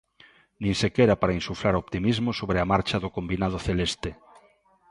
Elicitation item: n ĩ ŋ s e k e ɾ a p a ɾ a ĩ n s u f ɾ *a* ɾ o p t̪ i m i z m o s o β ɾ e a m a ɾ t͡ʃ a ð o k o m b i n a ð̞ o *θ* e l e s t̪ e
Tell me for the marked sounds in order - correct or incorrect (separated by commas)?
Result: correct, correct